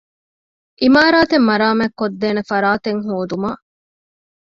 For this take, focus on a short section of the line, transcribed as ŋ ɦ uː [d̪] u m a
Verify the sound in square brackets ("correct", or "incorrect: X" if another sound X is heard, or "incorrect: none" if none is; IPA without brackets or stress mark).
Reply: correct